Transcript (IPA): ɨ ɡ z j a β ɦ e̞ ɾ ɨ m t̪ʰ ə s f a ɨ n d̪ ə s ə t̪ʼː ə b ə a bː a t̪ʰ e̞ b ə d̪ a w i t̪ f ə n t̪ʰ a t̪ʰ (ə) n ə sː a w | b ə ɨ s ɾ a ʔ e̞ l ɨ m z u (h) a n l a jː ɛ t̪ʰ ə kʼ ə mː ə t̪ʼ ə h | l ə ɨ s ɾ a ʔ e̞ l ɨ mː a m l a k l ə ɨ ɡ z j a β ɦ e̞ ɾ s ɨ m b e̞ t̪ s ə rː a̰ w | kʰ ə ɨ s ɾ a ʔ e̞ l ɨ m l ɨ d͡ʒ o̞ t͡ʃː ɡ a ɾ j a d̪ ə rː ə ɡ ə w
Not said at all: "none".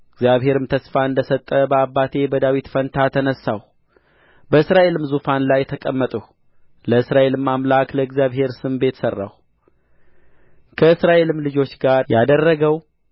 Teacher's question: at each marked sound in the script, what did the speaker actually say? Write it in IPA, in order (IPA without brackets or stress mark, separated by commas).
ə, f